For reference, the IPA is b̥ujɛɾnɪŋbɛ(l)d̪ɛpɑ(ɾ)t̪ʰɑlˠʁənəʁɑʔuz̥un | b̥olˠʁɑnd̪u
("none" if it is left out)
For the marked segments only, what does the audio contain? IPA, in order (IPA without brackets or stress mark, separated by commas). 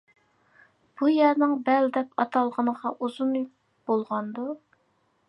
l, none